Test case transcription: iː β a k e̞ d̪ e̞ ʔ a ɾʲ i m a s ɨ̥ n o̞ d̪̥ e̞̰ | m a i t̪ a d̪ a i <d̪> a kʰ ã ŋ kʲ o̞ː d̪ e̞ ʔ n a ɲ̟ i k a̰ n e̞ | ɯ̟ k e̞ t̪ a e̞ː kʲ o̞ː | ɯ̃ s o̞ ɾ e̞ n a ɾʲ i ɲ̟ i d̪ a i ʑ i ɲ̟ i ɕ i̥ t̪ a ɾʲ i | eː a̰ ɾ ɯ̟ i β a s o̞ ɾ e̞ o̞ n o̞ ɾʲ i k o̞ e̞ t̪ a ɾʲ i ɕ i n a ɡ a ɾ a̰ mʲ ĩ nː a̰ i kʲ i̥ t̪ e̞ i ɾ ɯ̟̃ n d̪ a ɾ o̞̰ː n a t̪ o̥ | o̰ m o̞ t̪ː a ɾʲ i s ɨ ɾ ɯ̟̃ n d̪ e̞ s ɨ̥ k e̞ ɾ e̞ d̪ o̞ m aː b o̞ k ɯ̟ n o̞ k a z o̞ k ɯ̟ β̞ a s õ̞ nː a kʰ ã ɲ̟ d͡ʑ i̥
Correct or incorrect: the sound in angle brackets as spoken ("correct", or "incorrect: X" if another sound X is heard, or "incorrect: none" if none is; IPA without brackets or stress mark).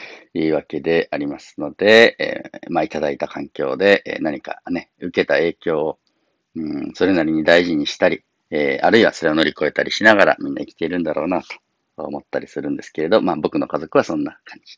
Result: incorrect: t̪